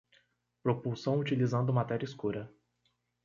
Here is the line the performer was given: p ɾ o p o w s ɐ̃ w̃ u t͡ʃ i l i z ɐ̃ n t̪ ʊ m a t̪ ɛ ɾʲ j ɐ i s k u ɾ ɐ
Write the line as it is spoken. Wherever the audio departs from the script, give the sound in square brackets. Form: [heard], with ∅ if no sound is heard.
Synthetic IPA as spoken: p ɾ o p [u] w s ɐ̃ w̃ u t͡ʃ i l i z ɐ̃ n [d̪] ʊ m a t̪ ɛ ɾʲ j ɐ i s k u ɾ ɐ